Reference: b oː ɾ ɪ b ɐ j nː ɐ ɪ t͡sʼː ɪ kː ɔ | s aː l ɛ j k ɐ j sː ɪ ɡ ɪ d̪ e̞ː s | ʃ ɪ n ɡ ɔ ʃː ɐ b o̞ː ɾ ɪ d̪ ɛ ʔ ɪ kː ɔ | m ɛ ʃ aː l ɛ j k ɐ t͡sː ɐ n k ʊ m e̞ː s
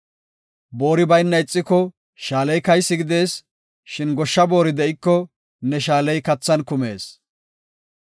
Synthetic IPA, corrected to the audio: b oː ɾ ɪ b ɐ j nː ɐ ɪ t͡sʼː ɪ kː ɔ | ʃ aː l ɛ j k ɐ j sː ɪ ɡ ɪ d̪ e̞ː s | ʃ ɪ n ɡ ɔ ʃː ɐ b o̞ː ɾ ɪ d̪ ɛ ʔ ɪ kː ɔ | n ɛ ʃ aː l ɛ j k ɐ t͡sː ɐ n k ʊ m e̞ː s